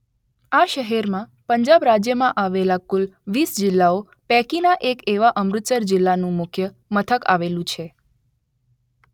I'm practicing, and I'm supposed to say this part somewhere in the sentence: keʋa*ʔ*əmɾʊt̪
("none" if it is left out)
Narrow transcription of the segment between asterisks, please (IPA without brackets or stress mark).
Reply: ʔ